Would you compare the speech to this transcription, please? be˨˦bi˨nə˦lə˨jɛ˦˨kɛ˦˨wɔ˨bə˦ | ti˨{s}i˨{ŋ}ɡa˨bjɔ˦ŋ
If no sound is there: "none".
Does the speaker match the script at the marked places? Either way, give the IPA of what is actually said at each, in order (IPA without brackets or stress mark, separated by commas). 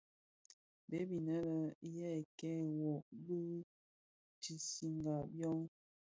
s, ŋ